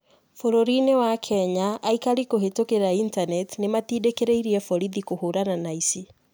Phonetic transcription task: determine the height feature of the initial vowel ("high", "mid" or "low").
mid